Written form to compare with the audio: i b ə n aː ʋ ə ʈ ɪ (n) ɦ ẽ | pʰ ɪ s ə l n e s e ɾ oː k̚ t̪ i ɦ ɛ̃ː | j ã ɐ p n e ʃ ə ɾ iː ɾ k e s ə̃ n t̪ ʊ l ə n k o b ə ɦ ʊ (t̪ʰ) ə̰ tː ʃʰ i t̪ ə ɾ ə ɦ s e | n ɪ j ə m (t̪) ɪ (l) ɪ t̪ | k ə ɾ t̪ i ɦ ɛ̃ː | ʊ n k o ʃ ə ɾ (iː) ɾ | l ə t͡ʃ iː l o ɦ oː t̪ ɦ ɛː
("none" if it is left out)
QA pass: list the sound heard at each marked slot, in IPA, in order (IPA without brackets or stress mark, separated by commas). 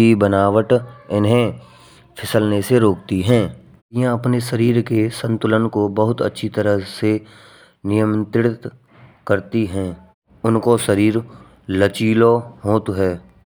n, t̪, t̪, ɽ, iː